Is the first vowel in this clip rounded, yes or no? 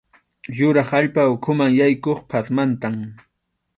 yes